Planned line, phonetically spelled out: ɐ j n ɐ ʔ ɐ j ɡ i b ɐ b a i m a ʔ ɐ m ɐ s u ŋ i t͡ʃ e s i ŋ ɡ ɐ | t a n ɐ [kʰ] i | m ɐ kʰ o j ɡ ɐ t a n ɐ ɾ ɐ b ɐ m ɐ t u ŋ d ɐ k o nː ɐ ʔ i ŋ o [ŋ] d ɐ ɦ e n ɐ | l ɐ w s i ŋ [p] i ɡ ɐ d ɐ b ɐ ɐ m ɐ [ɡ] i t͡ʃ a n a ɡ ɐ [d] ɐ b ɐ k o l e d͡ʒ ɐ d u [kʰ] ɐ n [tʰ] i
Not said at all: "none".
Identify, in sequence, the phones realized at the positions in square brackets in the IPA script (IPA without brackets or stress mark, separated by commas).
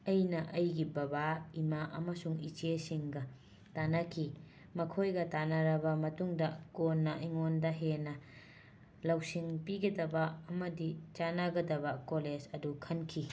kʰ, n, p, d, d, kʰ, kʰ